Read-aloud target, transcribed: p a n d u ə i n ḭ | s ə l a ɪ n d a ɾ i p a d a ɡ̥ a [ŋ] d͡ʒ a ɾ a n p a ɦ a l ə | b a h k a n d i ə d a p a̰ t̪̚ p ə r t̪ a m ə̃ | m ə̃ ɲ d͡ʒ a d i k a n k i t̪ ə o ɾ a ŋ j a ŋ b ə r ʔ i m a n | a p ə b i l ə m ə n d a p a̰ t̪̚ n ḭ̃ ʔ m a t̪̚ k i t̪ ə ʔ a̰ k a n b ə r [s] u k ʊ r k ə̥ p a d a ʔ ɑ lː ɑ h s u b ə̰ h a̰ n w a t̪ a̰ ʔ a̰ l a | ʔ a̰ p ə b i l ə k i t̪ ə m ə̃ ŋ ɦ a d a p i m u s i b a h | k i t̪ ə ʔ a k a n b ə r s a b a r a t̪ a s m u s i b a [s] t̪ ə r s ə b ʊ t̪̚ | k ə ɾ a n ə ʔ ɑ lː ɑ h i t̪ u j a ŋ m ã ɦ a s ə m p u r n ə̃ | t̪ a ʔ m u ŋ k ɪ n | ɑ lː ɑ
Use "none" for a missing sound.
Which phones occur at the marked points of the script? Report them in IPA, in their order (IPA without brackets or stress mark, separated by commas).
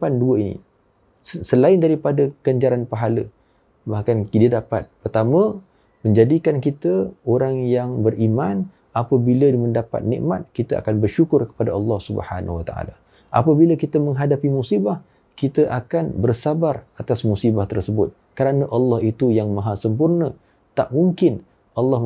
ɲ, ʃ, h